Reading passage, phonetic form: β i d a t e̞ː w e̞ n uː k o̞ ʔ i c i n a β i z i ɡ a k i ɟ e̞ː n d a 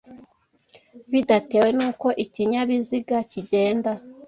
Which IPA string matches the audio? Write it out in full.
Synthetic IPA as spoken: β i d a t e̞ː w e̞ n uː k o̞ ʔ i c i ɲ a β i z i ɡ a c i ɟ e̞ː n d a